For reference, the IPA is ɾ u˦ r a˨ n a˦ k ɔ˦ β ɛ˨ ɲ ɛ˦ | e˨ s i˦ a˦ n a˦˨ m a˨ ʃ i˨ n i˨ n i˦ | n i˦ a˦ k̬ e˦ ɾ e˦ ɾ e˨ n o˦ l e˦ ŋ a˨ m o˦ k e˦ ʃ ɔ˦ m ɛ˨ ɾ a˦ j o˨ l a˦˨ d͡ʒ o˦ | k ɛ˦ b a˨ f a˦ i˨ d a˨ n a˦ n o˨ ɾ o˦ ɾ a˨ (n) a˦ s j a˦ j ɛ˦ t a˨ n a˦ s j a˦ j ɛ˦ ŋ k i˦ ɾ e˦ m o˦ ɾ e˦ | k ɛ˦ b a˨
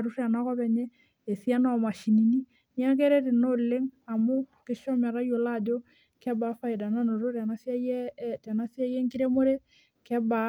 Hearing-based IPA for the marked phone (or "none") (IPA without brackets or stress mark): n